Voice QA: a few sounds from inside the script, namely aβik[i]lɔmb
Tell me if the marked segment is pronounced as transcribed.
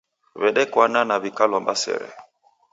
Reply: no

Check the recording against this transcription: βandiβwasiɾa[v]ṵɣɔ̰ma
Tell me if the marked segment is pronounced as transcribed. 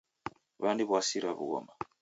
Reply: no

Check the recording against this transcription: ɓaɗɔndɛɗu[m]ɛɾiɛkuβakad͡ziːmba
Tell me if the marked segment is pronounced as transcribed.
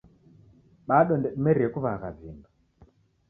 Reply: yes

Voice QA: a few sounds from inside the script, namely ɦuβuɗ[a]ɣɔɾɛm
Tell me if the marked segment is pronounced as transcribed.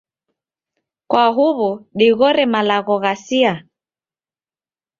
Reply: no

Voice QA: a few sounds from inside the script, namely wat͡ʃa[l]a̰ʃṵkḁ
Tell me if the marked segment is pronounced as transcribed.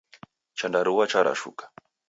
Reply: no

